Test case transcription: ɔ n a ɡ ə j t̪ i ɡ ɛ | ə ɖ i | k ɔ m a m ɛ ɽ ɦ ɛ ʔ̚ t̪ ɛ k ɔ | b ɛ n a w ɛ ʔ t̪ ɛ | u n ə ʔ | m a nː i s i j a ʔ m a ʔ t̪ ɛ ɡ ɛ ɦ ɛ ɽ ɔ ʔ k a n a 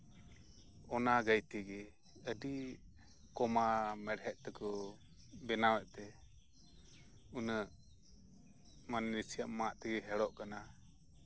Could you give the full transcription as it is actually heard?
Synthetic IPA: ɔ n a ɡ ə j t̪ i ɡ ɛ | ə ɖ i | k ɔ m a m ɛ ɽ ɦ ɛ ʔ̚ t̪ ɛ k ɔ | b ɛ n a w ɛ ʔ t̪ ɛ | u n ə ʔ | m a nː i s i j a ʔ m a ʔ t̪ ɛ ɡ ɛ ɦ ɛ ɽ ɔ ʔ k a n a